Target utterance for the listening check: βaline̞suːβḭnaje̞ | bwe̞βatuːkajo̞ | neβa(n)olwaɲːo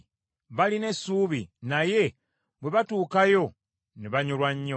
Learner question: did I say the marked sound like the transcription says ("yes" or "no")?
no